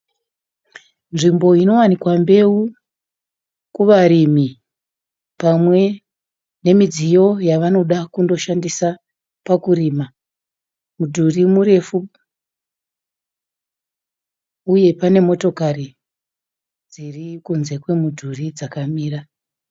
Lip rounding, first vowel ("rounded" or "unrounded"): unrounded